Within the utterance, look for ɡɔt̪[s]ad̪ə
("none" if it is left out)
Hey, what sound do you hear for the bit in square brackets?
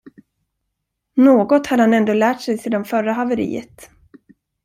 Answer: h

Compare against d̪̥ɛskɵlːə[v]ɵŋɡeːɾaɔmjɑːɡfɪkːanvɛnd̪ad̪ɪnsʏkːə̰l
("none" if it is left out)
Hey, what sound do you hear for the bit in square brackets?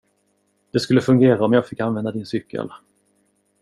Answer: f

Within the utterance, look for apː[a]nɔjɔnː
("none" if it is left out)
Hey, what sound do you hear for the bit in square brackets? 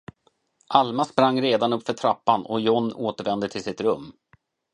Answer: a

